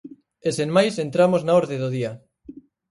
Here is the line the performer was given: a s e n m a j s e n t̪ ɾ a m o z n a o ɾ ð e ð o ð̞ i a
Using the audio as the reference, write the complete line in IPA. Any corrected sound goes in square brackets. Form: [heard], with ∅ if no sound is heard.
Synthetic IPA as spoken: [e] s e n m a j s e n t̪ ɾ a m o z n a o ɾ ð e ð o ð̞ i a